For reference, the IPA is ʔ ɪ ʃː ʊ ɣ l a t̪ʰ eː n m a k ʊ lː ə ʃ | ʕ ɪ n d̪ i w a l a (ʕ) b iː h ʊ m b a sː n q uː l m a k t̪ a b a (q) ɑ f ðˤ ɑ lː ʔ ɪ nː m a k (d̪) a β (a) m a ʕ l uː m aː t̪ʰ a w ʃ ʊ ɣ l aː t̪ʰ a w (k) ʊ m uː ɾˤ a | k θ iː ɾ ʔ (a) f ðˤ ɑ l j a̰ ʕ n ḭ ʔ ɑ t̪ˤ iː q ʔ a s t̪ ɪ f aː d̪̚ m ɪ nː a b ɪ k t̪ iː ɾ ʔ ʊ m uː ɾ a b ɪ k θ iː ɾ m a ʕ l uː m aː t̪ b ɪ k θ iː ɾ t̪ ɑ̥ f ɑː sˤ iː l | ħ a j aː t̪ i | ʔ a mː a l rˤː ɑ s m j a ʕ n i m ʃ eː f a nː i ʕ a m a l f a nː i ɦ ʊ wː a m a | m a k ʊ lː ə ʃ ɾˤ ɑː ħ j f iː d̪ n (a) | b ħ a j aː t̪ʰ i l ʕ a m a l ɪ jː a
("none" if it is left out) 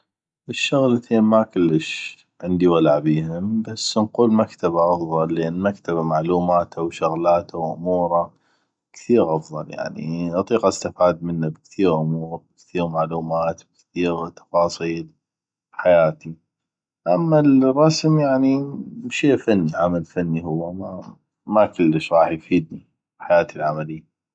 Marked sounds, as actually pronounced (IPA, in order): ʕ, ʔ, t̪, a, ʔ, ɑ, i

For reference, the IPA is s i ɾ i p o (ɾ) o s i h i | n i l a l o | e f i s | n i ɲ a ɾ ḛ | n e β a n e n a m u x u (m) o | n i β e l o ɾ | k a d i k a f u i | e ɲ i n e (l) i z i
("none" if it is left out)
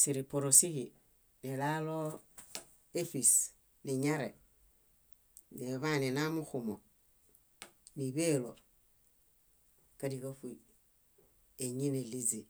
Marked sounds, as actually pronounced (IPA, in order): ɾ, m, l

